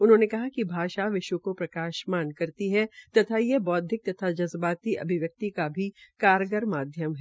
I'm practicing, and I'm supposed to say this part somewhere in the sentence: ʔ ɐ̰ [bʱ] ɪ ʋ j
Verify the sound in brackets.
correct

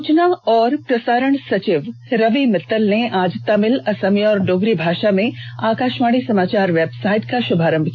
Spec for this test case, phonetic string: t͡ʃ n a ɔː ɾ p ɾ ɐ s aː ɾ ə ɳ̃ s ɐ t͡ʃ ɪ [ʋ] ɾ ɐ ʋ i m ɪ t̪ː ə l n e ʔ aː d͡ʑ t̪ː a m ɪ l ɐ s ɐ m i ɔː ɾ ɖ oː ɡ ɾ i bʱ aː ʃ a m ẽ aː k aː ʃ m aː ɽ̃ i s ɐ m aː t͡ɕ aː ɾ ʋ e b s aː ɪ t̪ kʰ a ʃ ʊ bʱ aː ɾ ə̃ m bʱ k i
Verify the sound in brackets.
correct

